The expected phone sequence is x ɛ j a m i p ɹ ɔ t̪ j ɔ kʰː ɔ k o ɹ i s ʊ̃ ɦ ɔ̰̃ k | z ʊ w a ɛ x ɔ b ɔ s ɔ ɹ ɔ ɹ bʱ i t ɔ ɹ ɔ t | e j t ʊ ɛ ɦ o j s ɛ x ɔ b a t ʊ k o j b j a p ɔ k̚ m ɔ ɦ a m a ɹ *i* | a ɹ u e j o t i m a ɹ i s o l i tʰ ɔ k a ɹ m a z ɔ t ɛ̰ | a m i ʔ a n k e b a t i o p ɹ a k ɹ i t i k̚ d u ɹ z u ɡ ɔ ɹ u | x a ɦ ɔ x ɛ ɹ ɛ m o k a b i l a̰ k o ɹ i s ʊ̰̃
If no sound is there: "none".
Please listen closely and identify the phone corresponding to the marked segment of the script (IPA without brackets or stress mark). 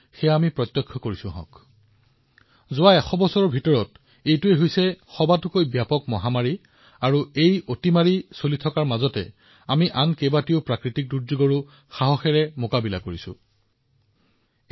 i